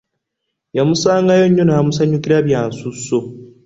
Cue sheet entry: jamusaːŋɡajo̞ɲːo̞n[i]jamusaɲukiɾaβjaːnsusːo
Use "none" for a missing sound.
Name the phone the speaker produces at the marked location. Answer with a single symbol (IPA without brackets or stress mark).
a